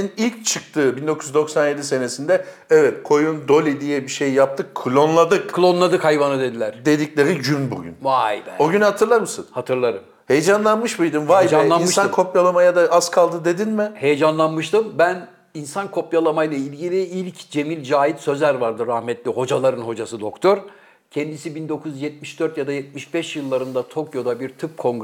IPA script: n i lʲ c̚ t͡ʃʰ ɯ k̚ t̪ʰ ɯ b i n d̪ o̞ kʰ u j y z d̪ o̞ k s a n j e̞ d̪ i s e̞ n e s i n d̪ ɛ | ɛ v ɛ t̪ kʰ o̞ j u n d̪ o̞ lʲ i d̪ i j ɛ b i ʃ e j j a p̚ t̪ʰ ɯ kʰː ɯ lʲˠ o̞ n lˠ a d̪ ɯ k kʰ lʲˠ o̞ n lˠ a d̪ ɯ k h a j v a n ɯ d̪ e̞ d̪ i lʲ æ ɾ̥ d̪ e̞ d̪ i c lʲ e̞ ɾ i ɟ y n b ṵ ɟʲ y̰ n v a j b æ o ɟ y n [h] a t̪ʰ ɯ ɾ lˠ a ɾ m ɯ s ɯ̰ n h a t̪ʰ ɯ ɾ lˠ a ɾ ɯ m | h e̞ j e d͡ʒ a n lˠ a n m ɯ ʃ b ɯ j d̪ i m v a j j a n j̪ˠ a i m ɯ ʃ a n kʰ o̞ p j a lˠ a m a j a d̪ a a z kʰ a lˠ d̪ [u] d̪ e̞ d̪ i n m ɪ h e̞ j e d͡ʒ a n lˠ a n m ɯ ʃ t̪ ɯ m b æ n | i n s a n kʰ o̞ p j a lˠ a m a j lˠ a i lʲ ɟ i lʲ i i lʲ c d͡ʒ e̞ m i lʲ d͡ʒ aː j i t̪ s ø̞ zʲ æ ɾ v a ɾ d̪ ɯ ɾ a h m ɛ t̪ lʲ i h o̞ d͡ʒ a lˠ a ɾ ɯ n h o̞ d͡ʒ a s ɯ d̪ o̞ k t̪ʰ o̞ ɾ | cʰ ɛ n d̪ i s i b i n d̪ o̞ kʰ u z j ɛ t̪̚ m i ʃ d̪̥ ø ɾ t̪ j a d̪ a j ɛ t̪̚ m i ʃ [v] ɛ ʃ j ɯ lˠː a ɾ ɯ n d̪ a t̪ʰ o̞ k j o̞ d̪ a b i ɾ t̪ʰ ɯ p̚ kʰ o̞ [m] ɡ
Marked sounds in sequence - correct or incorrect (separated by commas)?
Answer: correct, incorrect, incorrect, incorrect